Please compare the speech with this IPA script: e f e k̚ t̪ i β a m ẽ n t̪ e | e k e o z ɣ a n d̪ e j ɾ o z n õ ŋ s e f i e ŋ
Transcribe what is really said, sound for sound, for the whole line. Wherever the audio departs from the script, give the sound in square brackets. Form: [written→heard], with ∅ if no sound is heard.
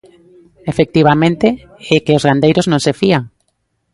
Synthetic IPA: e f e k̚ t̪ i β a m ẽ n t̪ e | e k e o z ɣ a n d̪ e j ɾ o z n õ ŋ s e f i [e→a] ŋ